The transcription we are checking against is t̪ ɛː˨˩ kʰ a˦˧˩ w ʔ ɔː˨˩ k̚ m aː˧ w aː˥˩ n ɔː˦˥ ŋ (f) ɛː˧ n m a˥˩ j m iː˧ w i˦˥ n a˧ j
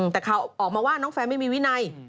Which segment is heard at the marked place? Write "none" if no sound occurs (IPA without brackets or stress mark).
f